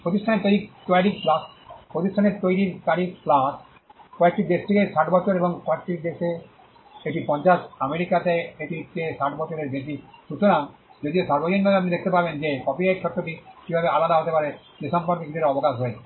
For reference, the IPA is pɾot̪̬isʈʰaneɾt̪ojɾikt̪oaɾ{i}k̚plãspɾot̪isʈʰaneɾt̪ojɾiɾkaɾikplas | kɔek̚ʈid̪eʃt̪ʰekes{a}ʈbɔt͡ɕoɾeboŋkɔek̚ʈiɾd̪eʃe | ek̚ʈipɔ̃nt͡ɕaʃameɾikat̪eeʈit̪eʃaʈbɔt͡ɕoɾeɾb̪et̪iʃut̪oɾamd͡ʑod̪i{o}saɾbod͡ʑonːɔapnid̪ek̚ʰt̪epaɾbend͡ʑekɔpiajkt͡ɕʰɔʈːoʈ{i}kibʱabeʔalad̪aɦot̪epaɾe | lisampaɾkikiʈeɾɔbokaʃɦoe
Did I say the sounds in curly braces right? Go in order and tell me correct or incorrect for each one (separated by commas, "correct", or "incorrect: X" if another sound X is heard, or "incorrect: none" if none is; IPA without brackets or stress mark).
correct, correct, correct, correct